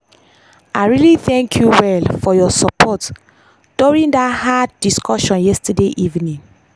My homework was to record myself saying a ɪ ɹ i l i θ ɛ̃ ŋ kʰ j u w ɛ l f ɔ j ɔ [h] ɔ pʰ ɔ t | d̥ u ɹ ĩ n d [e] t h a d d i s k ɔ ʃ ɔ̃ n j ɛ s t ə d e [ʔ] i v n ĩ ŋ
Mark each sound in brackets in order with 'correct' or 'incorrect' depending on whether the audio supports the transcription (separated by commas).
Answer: incorrect, incorrect, correct